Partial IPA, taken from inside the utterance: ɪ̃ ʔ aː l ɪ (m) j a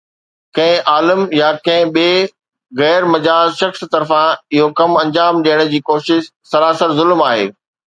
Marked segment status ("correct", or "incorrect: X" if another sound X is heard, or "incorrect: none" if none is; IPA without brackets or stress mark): correct